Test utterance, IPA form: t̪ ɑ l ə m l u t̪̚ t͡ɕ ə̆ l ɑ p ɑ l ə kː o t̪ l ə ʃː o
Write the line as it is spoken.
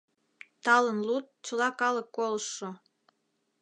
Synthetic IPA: t̪ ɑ l ə n l u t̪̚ t͡ɕ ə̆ l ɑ k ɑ l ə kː o l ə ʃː o